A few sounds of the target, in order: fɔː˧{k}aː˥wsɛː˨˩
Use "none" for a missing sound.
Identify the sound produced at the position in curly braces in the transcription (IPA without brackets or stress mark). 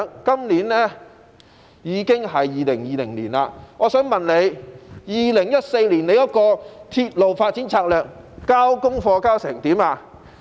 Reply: k